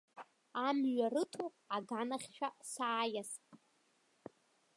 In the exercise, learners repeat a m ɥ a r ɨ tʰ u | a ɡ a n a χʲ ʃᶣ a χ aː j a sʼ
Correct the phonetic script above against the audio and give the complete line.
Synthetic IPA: a m ɥ a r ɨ tʰ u | a ɡ a n a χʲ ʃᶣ a s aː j a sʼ